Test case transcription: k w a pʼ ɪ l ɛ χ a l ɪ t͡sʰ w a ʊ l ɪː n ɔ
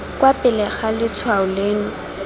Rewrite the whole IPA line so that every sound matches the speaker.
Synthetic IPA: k w a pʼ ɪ l ɛ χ a l ɪ t͡sʰ w a ʊ l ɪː n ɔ